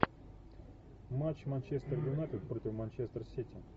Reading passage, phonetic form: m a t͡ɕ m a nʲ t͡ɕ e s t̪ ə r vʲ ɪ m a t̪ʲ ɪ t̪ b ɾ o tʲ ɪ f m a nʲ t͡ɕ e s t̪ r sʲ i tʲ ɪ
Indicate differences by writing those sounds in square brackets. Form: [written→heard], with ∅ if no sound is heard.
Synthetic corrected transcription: m a t͡ɕ m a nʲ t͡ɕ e s t̪ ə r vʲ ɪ [m→n] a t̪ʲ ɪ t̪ [b→p] ɾ o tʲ ɪ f m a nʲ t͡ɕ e s t̪ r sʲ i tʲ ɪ